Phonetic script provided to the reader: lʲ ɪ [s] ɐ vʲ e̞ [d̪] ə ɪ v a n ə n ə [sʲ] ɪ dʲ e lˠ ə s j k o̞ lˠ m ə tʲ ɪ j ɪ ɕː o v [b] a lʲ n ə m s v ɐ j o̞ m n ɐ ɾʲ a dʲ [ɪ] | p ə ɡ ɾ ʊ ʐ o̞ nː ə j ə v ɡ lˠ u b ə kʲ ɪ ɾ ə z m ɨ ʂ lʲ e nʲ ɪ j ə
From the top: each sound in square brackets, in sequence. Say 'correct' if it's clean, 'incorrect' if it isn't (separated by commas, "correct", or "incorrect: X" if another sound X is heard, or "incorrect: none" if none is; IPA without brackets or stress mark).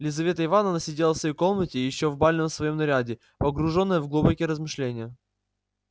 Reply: incorrect: z, incorrect: t̪, correct, correct, correct